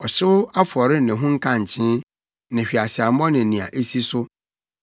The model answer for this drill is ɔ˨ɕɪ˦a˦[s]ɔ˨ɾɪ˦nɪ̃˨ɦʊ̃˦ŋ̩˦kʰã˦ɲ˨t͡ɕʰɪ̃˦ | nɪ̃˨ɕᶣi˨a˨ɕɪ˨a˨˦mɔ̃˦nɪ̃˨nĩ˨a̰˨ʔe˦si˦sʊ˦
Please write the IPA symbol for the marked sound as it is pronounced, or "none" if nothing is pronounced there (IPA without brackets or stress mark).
f